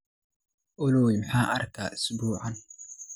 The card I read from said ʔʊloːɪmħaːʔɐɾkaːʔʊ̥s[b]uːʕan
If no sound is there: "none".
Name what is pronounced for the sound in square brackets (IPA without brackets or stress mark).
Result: b